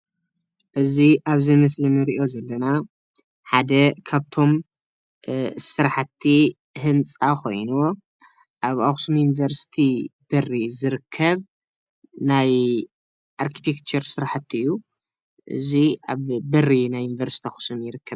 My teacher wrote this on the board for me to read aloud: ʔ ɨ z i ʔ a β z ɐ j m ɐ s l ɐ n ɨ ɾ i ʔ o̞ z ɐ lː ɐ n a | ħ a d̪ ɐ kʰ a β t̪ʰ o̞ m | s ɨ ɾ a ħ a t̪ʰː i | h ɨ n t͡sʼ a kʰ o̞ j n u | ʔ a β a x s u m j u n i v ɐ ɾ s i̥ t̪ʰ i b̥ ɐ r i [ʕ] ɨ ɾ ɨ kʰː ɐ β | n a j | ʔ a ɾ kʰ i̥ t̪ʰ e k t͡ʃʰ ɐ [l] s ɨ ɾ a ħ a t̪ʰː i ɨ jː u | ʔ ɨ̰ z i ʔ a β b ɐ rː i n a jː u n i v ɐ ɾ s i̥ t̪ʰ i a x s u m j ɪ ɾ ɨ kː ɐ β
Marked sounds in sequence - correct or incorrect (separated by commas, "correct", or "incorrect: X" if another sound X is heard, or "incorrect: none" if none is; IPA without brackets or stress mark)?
incorrect: z, incorrect: ɾ